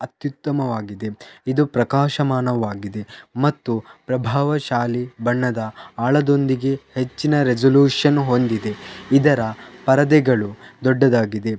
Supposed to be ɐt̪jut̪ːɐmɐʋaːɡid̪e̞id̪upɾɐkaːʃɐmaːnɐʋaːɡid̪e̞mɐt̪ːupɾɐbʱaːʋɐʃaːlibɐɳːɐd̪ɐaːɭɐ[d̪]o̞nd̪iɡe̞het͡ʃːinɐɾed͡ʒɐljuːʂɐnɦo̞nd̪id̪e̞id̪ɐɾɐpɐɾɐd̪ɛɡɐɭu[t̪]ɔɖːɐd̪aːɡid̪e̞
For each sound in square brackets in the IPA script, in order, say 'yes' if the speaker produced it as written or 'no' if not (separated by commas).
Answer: yes, no